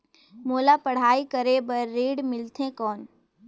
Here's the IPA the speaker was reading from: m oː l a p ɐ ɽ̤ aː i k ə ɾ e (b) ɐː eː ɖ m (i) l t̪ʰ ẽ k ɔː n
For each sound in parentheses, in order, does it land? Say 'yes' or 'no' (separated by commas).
yes, no